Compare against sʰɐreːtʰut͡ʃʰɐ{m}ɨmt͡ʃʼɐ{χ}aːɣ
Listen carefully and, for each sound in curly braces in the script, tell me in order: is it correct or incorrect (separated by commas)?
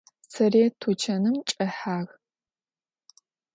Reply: incorrect, incorrect